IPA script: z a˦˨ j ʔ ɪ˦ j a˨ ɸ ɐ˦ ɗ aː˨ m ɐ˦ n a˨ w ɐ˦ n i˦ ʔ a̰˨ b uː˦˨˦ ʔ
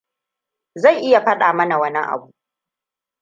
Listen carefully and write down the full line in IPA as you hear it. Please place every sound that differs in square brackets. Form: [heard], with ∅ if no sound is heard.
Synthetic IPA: z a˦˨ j ʔ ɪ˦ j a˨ ɸ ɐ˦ ɗ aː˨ m ɐ˦ n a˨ w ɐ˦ n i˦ ʔ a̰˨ b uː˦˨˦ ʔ